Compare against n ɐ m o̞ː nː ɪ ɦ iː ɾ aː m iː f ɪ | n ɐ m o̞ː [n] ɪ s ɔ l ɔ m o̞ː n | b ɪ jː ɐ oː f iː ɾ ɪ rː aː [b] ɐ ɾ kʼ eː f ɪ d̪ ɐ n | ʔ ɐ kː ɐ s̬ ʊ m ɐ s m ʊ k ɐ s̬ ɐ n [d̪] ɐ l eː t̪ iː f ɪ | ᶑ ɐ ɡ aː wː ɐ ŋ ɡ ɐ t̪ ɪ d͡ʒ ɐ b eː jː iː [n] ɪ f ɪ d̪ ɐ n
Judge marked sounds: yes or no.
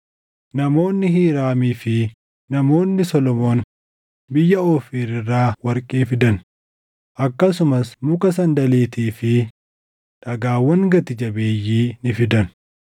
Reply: no, no, yes, yes

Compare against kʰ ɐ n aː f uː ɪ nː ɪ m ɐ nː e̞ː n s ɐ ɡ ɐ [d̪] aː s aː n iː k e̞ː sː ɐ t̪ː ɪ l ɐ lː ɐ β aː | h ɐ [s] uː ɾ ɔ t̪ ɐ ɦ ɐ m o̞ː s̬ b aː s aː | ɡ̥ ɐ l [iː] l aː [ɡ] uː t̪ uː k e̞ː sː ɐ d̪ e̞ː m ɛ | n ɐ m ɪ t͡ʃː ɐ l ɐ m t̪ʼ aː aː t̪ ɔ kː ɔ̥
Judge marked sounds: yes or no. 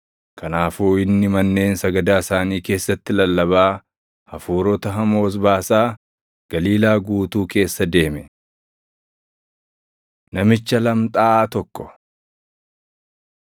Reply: yes, no, yes, yes

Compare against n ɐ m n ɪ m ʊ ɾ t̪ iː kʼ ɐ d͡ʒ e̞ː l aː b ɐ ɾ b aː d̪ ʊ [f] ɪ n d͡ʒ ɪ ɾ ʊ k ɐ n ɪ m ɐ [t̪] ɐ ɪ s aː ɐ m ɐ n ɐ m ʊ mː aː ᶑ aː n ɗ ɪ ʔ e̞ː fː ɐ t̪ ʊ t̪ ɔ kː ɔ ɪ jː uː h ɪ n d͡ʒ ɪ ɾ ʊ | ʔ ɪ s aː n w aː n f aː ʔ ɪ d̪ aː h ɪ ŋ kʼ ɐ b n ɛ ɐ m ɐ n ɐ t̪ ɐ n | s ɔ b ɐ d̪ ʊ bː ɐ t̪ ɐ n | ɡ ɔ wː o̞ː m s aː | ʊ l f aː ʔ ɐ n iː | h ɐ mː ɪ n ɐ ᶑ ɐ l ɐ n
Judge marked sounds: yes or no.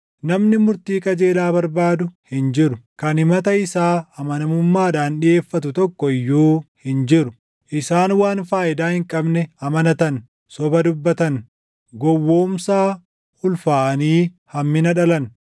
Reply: no, yes

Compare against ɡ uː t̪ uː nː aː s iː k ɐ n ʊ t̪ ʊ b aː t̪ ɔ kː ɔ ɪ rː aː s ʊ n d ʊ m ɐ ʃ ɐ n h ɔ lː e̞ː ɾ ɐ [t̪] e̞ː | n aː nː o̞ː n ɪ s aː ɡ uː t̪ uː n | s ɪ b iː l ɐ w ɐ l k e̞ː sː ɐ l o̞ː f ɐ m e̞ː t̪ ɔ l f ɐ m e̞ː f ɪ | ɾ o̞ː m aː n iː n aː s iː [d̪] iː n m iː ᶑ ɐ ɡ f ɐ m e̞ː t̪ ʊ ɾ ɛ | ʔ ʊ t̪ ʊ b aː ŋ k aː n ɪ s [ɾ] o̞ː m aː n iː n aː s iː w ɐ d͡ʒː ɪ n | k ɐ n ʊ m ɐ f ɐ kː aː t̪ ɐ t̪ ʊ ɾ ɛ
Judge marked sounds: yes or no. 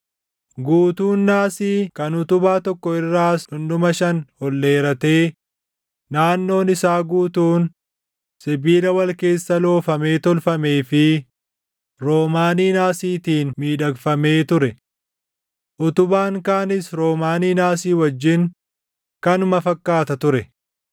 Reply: yes, no, yes

